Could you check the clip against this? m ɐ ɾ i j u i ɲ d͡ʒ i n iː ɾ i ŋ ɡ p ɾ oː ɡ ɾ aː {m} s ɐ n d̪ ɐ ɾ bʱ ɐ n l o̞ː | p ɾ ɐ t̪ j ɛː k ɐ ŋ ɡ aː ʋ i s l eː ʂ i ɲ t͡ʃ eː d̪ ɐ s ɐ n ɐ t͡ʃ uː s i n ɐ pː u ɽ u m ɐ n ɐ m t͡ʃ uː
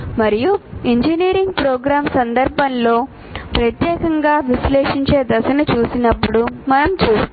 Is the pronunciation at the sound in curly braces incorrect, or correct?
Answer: correct